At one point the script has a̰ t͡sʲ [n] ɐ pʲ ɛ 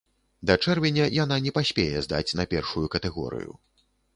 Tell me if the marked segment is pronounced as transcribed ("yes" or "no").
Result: yes